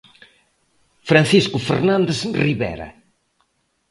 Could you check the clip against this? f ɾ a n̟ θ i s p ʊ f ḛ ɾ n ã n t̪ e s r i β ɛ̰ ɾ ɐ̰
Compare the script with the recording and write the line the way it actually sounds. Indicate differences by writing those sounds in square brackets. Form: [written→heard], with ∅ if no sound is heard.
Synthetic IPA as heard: f ɾ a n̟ θ i s [p→k] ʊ f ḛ ɾ n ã n [t̪→d̪] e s r i β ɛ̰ ɾ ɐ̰